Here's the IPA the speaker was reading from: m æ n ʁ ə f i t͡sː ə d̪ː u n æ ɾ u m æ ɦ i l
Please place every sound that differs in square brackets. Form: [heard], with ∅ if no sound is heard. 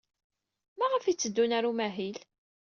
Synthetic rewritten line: m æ [∅] ʁ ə f i t͡sː ə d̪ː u n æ ɾ u m æ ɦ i l